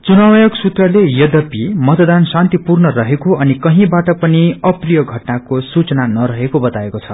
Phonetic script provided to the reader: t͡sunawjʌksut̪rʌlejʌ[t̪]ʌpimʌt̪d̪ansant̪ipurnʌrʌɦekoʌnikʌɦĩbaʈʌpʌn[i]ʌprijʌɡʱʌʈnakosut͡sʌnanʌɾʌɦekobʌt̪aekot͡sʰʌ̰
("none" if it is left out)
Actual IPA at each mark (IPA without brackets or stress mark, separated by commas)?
d̪, i